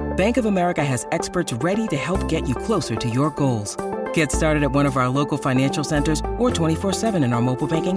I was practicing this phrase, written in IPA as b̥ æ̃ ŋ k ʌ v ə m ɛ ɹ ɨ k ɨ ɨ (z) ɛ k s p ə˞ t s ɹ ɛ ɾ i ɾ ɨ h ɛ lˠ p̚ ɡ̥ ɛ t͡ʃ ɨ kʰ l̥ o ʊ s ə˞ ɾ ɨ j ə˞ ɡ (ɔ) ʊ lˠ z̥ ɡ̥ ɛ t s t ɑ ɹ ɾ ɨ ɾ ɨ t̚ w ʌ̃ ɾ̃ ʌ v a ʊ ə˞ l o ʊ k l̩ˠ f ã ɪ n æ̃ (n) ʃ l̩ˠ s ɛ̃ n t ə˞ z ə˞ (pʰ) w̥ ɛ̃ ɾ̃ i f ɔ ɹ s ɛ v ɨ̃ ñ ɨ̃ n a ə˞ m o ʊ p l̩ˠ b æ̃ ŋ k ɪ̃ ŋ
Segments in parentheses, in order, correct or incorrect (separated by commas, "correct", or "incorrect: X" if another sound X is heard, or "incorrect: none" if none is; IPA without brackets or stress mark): correct, incorrect: o, correct, incorrect: tʰ